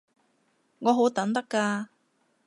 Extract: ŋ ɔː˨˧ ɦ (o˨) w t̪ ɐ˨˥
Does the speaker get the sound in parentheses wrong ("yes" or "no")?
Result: yes